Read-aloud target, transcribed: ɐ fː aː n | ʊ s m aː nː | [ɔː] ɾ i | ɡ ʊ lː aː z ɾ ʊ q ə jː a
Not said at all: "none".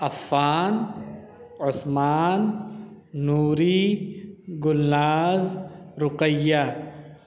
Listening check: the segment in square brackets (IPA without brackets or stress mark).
uː